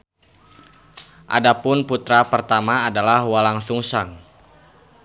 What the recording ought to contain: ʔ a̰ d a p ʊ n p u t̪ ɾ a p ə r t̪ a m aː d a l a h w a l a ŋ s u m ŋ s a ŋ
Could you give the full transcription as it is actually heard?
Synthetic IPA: ʔ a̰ d a p ʊ n p u t̪ ɾ a p ə r t̪ a m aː d a l a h w a l a ŋ s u ŋ s a ŋ